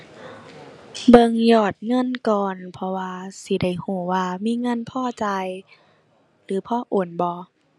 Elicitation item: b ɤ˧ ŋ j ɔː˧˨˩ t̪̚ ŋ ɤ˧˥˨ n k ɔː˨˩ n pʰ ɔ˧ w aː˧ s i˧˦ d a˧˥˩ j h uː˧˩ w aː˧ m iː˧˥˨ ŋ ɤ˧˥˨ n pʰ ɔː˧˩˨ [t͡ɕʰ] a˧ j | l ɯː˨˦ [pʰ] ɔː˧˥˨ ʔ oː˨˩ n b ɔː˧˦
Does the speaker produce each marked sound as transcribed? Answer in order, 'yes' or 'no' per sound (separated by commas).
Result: no, yes